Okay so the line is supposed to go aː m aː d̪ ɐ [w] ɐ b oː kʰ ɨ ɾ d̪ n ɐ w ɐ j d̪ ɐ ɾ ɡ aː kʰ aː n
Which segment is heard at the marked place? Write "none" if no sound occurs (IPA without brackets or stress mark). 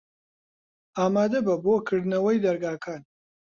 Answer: b